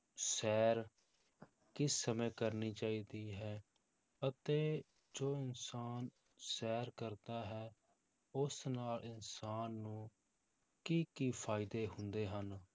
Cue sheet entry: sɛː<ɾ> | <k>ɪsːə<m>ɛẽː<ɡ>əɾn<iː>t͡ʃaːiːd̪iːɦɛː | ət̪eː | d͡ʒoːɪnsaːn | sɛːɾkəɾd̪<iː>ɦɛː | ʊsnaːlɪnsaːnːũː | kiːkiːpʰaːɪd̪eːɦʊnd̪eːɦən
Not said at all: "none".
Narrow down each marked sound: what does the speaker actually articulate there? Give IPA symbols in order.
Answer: ɾ, k, m, k, iː, aː

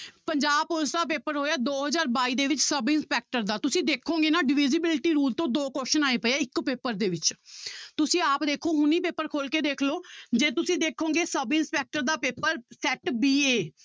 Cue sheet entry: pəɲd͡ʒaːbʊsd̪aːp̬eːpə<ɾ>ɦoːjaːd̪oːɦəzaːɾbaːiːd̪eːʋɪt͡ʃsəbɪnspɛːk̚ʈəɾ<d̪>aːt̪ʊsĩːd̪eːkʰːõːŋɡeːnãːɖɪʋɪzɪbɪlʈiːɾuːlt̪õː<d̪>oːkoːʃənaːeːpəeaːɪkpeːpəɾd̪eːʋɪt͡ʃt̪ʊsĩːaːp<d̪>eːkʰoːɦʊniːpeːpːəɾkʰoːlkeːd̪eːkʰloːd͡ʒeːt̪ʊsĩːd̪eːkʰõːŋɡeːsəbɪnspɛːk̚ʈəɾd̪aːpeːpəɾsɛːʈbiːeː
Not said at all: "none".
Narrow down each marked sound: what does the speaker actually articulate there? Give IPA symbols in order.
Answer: ɾ, d̪, d̪, d̪

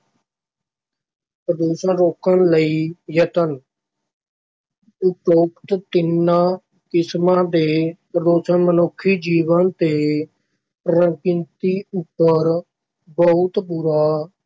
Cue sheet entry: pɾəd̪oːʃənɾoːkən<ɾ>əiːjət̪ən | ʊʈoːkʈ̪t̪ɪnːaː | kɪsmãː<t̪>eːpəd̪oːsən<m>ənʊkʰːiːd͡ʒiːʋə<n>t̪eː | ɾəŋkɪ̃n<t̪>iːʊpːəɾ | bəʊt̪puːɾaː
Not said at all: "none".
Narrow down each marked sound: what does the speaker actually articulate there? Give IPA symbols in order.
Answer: l, d̪, m, n, t̪

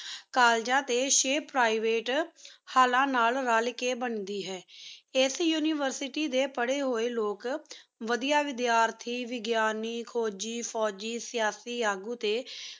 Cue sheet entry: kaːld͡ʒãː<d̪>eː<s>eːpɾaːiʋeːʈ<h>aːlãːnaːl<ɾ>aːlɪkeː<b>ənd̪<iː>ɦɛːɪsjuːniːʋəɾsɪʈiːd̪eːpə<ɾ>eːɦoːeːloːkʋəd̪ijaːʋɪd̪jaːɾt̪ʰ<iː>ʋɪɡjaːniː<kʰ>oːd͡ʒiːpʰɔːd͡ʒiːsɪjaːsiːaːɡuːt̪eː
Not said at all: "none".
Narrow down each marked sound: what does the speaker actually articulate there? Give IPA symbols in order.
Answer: t̪, ʃ, h, ɾ, b, iː, ɽ, iː, kʰ

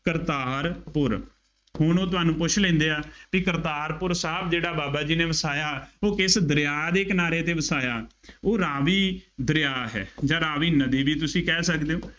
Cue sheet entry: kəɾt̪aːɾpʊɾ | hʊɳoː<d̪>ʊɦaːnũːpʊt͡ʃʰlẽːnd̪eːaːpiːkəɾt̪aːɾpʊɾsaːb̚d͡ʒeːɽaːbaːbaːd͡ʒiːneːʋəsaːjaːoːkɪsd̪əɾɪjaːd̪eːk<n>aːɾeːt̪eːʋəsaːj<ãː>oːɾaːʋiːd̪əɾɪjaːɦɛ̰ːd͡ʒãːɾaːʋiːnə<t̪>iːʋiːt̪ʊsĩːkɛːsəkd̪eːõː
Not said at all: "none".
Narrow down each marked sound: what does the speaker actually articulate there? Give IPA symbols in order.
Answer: t̪, n, aː, d̪

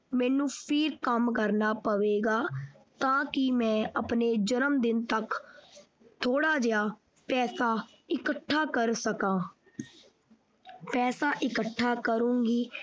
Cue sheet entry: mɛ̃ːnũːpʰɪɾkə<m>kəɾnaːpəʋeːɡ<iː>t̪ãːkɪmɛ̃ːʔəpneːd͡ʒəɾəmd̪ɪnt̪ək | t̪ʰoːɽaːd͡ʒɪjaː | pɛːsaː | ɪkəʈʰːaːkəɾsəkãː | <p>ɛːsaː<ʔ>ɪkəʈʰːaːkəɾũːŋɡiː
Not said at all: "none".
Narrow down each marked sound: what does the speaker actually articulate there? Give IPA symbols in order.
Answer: m, aː, p, ʔ

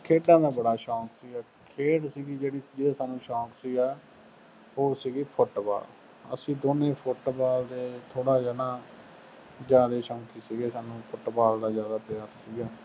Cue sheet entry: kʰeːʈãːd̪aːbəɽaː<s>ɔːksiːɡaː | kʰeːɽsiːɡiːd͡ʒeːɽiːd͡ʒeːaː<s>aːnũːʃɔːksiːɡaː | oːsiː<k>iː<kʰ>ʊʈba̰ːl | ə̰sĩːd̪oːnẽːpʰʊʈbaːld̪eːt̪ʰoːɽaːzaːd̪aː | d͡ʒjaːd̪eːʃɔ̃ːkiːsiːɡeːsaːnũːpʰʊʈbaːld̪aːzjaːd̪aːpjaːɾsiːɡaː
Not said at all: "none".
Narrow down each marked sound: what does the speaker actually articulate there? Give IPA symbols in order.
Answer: ʃ, s, ɡ, pʰ

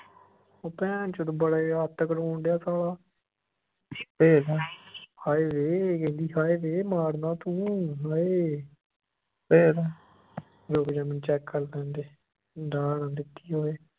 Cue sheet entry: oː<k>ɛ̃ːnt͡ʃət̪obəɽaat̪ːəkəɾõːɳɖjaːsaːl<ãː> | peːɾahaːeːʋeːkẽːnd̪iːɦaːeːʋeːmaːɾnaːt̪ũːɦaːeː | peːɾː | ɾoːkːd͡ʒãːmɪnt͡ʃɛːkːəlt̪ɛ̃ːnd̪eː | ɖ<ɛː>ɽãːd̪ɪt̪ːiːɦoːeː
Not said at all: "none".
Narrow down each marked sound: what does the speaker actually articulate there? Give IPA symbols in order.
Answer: p, aː, aː

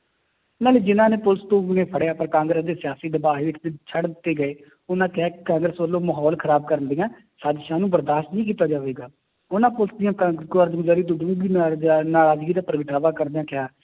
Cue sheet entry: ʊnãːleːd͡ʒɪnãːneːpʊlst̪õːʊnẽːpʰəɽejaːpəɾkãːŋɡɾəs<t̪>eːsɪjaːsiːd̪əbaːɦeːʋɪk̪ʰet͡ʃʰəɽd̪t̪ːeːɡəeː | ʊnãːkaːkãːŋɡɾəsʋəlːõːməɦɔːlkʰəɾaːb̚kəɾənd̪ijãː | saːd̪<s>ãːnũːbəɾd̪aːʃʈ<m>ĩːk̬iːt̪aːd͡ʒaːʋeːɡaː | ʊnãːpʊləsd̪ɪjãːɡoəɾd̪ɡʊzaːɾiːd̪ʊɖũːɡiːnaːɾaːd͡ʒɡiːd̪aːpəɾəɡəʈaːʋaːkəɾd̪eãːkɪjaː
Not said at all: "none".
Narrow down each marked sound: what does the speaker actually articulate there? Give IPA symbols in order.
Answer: d̪, ʃ, n

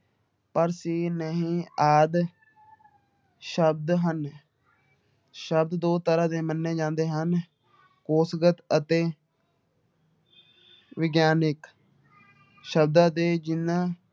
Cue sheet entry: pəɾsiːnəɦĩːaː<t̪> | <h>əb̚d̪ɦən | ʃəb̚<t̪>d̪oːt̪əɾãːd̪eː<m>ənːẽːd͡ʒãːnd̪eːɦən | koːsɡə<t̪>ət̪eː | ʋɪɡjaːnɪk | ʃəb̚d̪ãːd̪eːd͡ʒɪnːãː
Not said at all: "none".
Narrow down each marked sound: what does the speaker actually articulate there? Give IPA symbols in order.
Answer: d̪, ʃ, d̪, m, t̪

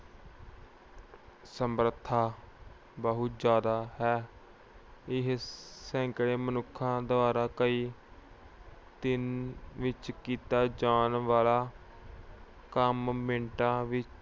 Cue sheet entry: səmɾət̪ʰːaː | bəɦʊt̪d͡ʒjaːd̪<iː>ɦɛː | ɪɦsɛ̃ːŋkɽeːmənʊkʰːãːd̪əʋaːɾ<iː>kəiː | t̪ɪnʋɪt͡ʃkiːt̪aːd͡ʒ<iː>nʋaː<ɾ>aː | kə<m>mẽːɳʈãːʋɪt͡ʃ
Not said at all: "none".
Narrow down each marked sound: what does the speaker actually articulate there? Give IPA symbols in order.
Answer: aː, aː, aː, l, m

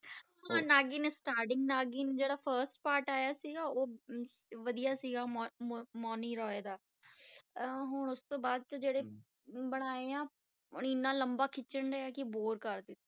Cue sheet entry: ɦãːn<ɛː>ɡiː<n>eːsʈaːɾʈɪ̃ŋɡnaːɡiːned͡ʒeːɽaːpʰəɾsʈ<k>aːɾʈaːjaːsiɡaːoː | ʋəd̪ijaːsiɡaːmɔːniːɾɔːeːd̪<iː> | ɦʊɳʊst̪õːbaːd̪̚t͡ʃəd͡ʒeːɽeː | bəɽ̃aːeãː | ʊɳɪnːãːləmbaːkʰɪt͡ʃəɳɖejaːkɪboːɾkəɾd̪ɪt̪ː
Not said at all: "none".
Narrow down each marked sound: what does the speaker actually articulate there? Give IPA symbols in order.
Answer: aː, n, p, aː

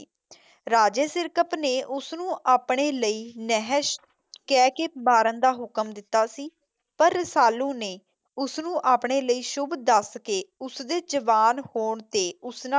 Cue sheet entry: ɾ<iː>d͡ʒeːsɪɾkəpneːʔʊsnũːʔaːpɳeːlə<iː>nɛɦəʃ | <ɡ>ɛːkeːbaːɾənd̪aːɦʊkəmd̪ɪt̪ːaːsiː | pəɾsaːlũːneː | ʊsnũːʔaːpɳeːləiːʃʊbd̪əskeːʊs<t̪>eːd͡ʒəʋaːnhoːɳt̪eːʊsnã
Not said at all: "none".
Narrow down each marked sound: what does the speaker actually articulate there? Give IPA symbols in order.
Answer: aː, iː, k, d̪

